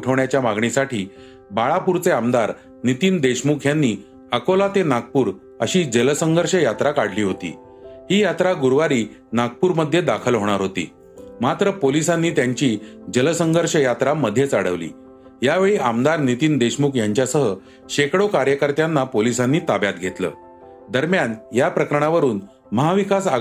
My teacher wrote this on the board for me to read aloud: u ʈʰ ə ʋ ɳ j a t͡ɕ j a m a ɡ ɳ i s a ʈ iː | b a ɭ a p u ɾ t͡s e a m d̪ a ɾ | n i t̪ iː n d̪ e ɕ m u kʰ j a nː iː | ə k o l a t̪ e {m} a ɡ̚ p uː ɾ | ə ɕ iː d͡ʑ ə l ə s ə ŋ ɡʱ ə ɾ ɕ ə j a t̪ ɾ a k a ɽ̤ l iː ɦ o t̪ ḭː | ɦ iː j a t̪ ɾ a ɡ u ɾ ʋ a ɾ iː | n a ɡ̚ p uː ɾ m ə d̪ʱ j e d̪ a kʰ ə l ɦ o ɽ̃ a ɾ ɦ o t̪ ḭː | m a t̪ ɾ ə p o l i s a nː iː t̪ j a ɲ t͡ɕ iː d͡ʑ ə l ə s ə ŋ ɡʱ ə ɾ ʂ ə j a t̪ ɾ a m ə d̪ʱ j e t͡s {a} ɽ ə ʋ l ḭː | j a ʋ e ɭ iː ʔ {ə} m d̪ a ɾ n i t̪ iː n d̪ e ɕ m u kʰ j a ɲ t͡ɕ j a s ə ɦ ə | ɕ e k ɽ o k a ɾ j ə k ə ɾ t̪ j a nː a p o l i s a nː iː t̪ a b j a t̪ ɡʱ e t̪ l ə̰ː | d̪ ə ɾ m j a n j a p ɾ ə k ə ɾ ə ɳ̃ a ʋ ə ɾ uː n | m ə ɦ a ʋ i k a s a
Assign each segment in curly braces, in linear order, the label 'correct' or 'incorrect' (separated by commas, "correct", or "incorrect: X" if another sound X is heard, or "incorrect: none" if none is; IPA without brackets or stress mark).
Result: incorrect: n, correct, incorrect: a